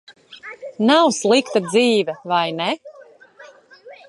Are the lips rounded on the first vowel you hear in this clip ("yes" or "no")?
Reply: no